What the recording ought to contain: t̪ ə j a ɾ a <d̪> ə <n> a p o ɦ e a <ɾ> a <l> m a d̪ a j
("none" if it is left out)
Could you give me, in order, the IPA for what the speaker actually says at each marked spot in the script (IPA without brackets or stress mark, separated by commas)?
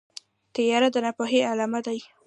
d̪, n, l, none